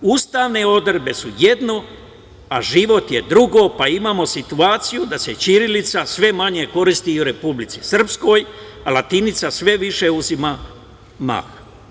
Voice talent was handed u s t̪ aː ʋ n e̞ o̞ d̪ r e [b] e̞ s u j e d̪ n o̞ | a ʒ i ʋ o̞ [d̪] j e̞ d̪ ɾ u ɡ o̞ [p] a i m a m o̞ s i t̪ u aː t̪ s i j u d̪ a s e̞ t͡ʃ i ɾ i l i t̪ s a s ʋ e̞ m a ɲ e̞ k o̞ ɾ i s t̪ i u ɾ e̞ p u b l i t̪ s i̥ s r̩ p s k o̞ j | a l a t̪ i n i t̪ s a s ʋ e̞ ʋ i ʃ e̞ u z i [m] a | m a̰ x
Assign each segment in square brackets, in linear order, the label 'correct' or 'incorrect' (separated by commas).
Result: correct, incorrect, correct, correct